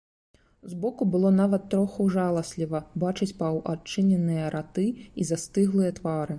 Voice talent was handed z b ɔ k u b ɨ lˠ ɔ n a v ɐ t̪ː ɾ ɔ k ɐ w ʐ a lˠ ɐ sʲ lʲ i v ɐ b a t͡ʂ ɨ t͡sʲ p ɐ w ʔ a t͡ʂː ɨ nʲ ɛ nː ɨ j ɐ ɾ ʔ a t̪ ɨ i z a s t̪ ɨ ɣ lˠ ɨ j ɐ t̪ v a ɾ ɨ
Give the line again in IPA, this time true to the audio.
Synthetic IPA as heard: z b ɔ k u b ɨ lˠ ɔ n a v ɐ t̪ː ɾ ɔ x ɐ w ʐ a lˠ ɐ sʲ lʲ i v ɐ b a t͡ʂ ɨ t͡sʲ p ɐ w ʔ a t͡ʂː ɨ nʲ ɛ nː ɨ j ɐ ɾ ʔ a t̪ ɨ i z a s t̪ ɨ ɣ lˠ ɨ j ɐ t̪ v a ɾ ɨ